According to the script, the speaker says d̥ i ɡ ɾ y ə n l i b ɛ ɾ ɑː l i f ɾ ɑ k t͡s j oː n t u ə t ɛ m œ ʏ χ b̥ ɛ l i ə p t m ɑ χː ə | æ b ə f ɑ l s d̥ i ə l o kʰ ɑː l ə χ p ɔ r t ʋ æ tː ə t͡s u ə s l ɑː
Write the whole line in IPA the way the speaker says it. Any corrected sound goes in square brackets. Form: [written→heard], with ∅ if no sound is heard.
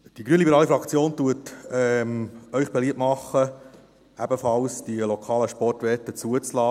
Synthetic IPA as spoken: d̥ i ɡ ɾ y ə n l i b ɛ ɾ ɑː l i f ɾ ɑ k t͡s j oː n t u ə t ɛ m œ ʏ χ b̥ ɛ l i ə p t m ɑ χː ə | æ b ə f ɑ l s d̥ i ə l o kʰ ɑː l ə [χ→ʃ] p ɔ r t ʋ [æ→ɛ] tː ə t͡s u ə [s→t͡s] l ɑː